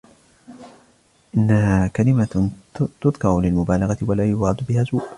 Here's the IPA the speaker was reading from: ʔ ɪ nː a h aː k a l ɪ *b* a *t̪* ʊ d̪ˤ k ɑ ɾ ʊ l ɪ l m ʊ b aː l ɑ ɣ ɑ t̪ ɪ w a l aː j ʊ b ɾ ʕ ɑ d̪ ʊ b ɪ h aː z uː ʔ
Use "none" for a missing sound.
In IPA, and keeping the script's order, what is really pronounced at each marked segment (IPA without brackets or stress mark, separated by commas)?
m, t̪